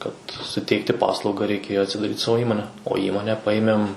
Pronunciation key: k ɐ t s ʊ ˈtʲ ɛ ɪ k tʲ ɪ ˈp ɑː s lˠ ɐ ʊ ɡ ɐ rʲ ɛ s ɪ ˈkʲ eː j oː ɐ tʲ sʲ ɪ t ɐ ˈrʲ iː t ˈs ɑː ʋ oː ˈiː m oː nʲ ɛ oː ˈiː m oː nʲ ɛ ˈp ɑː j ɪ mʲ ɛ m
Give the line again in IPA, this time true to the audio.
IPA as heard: k ɐ t s ʊ ˈtʲ ɛ ɪ k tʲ ɪ ˈp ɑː s lˠ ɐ ʊ ɡ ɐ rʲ ɛ ɪ ˈkʲ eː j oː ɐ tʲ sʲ ɪ d ɐ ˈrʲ iː t ˈs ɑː ʋ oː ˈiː m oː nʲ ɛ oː ˈiː m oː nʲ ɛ ˈp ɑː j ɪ mʲ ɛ m